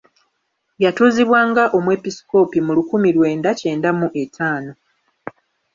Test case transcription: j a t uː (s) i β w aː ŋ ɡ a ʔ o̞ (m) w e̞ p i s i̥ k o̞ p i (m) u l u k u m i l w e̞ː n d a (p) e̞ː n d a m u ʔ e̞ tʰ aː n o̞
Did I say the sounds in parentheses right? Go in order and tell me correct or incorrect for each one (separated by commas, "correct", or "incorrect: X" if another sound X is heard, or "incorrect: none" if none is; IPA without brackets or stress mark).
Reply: incorrect: z, correct, correct, incorrect: c